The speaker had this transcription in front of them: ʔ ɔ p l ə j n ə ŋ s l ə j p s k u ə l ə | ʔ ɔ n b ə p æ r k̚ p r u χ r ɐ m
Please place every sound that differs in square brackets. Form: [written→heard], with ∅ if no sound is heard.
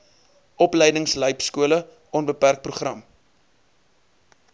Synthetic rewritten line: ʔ ɔ p l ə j [n→d] ə ŋ s l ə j p s k u ə l ə | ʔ ɔ n b ə p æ r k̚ p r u χ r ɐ m